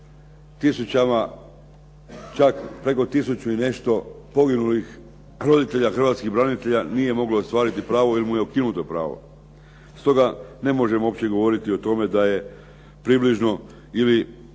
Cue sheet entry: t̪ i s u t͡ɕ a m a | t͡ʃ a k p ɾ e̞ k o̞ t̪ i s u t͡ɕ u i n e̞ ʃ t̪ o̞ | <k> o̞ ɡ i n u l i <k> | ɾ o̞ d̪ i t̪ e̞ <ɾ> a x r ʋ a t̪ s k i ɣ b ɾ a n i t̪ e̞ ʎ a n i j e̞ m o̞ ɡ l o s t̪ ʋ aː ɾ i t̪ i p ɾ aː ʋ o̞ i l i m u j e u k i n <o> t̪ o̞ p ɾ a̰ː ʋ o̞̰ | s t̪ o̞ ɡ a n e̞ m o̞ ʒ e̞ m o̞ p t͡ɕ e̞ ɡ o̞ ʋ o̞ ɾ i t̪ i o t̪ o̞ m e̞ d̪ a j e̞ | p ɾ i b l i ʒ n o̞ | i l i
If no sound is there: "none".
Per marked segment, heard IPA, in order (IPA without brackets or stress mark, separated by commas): p, x, ʎ, u